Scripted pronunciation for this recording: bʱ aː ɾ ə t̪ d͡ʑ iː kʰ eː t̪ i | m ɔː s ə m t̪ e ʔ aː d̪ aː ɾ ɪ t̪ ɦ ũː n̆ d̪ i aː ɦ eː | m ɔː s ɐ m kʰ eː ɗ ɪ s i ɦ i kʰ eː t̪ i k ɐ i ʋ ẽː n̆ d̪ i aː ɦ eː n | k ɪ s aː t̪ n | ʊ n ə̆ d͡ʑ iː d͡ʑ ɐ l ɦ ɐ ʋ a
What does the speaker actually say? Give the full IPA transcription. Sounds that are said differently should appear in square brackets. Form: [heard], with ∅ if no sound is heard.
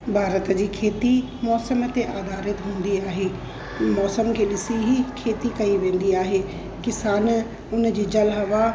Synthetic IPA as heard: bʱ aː ɾ ə t̪ d͡ʑ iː kʰ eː t̪ i | m ɔː s ə m t̪ e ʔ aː d̪ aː ɾ ɪ t̪ ɦ ũː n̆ d̪ i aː ɦ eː | m ɔː s [ə] m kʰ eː ɗ ɪ s i ɦ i kʰ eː t̪ i k ɐ i ʋ ẽː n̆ d̪ i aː ɦ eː [∅] | k ɪ s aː [∅] n | ʊ n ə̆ d͡ʑ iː d͡ʑ ɐ l ɦ ɐ ʋ a